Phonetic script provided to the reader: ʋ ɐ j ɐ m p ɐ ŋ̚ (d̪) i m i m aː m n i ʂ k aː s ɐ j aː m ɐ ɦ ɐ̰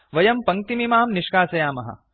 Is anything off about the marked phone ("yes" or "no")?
yes